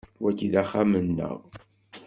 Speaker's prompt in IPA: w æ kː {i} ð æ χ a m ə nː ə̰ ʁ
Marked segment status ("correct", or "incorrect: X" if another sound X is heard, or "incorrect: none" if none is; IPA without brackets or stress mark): correct